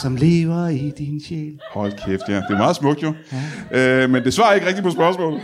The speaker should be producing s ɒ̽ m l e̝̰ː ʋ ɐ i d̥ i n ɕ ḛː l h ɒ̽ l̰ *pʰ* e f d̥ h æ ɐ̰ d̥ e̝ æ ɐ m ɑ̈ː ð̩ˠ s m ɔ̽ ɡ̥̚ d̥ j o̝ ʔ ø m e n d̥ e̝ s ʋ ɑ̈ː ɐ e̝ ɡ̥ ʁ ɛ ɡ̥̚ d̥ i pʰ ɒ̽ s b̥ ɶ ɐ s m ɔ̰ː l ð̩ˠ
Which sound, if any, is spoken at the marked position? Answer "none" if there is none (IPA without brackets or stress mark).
kʰ